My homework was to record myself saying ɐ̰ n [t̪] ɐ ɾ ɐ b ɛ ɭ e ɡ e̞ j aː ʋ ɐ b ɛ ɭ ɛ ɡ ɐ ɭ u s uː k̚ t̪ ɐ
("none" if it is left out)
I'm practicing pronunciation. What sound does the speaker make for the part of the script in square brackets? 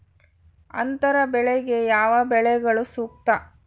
t̪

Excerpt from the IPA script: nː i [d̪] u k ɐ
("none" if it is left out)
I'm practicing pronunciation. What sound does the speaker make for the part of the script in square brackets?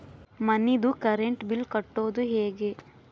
d̪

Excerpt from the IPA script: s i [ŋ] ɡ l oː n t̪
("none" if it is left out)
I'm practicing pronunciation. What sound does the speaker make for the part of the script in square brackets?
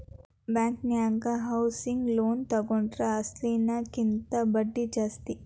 ŋ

